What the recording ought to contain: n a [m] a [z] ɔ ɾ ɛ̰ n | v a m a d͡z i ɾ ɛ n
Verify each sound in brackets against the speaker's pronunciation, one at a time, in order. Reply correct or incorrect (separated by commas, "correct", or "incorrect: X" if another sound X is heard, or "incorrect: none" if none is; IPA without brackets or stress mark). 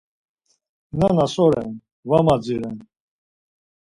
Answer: incorrect: n, incorrect: s